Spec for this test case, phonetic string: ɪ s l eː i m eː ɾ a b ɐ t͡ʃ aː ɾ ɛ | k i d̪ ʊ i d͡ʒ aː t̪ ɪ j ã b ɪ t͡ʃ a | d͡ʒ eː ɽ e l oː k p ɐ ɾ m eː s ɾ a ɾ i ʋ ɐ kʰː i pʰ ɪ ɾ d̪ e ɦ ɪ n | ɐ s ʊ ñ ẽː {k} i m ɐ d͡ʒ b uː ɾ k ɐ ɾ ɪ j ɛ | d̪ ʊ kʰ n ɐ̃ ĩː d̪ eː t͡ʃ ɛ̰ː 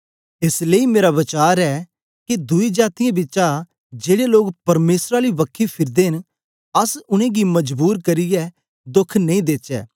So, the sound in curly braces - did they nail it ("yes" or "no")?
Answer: no